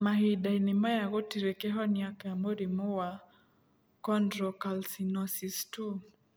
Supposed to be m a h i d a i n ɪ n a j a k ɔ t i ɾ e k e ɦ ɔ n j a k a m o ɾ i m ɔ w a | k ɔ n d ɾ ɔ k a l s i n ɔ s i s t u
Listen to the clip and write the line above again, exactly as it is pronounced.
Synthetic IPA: m a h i d a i n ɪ m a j a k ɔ t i ɾ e k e ɦ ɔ n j a k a m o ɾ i m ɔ w a | k ɔ n d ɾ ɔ k a l s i n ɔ s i s t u